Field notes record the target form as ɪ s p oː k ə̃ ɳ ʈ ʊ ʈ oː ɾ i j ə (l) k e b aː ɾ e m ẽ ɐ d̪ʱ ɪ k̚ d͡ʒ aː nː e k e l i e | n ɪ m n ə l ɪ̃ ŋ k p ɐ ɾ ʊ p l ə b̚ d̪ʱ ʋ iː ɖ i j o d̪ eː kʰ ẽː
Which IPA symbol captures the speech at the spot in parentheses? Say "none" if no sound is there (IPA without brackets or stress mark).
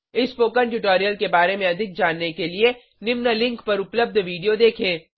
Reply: l